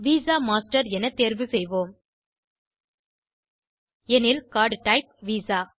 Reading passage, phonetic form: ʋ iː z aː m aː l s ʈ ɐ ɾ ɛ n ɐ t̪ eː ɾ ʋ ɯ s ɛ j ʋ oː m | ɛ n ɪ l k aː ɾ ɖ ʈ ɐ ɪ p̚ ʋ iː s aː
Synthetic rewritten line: ʋ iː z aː m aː s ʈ ɐ ɾ ɛ n ɐ t̪ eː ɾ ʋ ɯ s ɛ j ʋ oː m | ɛ n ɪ l k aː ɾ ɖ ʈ ɐ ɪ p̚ ʋ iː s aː